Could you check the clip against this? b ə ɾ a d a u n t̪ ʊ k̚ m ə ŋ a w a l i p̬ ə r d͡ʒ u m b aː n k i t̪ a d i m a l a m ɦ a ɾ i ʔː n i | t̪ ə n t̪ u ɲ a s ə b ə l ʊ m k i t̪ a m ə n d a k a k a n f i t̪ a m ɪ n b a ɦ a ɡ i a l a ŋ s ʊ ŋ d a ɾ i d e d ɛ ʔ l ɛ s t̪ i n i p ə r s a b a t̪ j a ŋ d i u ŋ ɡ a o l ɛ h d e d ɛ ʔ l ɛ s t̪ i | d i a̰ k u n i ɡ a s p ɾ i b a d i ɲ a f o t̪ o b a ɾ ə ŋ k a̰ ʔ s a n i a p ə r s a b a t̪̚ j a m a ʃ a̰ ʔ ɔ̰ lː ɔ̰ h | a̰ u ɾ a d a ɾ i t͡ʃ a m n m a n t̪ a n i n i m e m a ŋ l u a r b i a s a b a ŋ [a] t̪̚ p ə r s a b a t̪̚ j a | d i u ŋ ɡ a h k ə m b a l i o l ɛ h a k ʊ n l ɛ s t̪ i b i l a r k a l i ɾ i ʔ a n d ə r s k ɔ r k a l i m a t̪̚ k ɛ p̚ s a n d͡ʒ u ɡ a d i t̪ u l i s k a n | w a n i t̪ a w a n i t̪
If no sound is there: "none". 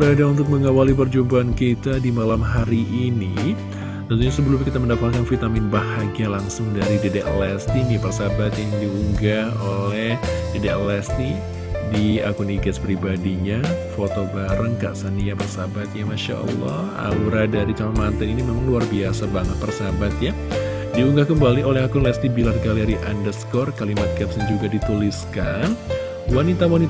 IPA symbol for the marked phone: ə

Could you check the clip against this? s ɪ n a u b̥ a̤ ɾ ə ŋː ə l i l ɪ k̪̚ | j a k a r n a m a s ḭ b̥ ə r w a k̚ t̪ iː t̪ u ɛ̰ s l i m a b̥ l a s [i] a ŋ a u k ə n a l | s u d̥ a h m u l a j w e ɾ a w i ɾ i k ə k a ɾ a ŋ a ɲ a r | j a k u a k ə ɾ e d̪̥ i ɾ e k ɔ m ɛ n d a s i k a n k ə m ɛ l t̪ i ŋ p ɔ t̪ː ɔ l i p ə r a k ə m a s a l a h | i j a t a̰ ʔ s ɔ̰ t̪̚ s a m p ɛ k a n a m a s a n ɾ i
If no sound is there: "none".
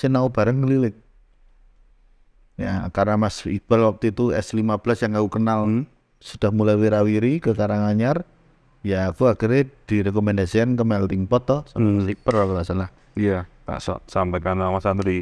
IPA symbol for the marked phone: j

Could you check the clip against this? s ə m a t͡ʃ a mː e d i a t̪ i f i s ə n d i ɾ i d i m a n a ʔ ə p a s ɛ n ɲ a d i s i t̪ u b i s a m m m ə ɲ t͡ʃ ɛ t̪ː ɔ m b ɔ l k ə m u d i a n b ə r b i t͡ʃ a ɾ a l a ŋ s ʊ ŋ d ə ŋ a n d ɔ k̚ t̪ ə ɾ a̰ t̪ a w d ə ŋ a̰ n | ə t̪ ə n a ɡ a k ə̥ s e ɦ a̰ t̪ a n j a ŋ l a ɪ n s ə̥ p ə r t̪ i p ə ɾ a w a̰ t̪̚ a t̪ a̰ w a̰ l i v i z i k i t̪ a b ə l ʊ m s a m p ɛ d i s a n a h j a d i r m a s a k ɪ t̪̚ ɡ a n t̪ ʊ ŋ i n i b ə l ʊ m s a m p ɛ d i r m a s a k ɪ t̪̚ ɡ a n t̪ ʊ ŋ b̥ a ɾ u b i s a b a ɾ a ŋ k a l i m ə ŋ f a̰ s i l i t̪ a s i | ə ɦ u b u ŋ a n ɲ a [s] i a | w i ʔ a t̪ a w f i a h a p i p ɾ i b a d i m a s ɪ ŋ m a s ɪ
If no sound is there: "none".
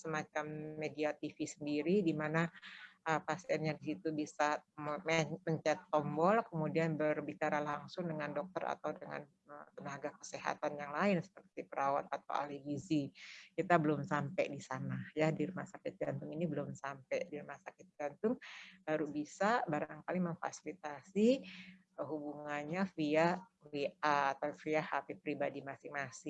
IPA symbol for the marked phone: f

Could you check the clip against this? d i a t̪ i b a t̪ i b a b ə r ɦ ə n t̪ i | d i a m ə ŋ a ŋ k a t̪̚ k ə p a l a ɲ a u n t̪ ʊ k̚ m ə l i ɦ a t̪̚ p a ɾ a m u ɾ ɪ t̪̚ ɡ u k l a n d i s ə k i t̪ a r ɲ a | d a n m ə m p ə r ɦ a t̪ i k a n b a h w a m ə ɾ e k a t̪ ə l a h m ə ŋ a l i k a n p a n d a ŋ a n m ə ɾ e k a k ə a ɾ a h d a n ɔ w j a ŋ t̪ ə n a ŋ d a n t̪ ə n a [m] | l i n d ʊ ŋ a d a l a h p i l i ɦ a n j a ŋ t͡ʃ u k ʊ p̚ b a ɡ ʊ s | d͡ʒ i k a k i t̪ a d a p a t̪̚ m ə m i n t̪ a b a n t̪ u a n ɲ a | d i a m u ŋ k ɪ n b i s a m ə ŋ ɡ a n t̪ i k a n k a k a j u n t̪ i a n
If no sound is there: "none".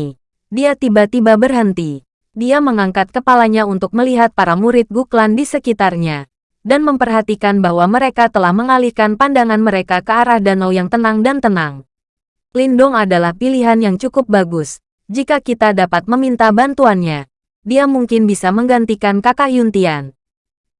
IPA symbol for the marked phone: ŋ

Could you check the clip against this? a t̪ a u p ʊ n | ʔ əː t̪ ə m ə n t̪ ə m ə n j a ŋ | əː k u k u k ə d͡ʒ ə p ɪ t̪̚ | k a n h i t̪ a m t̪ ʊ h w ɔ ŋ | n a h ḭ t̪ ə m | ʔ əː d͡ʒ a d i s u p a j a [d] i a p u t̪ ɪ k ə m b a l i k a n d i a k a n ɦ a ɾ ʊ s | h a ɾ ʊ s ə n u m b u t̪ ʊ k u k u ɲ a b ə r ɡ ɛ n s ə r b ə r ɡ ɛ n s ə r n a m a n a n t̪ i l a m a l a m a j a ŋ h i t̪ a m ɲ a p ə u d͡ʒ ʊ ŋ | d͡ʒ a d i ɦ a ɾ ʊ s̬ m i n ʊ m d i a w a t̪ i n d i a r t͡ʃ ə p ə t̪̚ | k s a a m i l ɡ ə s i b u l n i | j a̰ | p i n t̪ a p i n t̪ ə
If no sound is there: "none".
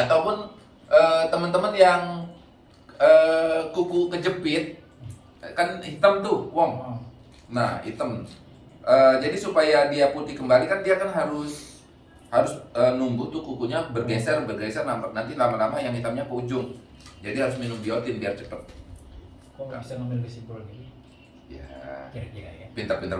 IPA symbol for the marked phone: d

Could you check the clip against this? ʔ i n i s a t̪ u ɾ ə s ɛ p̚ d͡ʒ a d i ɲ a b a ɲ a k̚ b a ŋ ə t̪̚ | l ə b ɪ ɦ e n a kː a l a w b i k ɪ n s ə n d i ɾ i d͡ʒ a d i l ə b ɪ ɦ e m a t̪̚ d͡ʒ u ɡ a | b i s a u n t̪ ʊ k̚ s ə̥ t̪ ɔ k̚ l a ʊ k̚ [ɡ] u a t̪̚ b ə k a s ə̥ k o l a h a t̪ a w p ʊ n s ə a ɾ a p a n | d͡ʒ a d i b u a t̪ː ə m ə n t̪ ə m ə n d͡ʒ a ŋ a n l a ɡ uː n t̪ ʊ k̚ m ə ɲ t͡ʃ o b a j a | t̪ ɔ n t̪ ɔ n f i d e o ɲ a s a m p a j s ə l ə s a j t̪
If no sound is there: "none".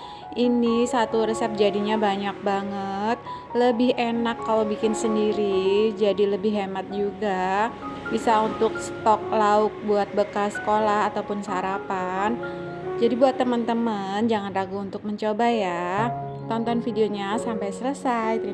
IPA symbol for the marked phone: b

